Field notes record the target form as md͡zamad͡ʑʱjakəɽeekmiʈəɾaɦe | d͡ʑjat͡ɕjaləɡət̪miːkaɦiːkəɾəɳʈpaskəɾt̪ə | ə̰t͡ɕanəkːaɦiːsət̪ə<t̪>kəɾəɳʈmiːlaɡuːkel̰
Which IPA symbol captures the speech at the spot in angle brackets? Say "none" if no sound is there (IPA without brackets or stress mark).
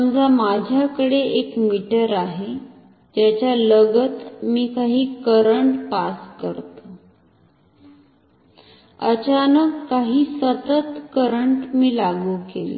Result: t̪